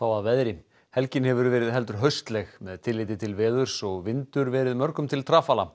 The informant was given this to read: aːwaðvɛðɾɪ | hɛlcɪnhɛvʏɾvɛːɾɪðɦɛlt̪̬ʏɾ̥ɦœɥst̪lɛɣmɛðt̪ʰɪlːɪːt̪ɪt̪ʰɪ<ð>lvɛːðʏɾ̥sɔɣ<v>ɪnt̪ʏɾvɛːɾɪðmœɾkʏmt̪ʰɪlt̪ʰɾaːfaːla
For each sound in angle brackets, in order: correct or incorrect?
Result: incorrect: none, correct

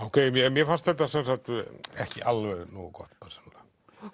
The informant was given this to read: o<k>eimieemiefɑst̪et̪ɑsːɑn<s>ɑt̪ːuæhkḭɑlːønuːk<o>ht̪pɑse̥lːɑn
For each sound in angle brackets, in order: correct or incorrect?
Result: correct, correct, correct

